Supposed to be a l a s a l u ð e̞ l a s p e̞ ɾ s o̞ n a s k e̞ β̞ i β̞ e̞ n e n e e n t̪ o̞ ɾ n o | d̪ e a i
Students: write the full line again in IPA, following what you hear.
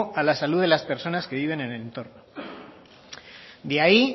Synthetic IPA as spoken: a l a s a l u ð e̞ l a s p e̞ ɾ s o̞ n a s k e̞ β̞ i β̞ e̞ n e n e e n t̪ o̞ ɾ n o | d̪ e a i